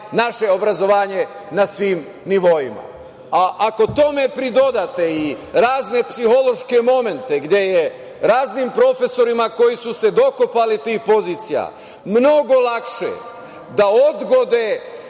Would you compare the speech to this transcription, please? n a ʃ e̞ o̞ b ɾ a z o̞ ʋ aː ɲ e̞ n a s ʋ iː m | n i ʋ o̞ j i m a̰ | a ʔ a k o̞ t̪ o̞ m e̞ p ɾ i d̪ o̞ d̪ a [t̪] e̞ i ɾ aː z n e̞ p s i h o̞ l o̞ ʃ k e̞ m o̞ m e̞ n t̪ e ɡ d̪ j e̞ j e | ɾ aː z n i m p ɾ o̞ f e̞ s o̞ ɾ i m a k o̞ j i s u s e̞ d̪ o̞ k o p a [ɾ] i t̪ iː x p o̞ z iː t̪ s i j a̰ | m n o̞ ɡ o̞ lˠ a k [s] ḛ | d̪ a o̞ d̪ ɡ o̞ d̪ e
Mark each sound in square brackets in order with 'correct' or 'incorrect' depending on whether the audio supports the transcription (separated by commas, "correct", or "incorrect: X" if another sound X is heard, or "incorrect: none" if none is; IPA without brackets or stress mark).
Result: correct, incorrect: l, incorrect: ʃ